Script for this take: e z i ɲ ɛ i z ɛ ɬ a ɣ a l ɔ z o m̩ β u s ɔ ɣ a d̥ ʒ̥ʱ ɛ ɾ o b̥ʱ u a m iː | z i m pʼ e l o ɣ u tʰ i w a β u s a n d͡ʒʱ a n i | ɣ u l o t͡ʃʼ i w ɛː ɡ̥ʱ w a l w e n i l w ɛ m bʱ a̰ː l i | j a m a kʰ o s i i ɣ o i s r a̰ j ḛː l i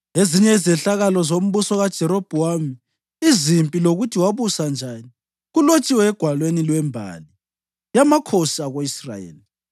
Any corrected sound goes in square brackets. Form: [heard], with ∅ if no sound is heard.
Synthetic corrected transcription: e z i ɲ ɛ i z ɛ ɬ a ɣ a l ɔ z o m̩ β u s ɔ ɣ a d̥ ʒ̥ʱ ɛ ɾ o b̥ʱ u a m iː | z i m pʼ [i] l o ɣ u tʰ i w a β u s a n d͡ʒʱ a n i | ɣ u l o t͡ʃʼ i w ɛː ɡ̥ʱ w a l w e n i l w ɛ m bʱ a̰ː l i | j a m a kʰ o s i [a] ɣ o i s r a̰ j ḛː l i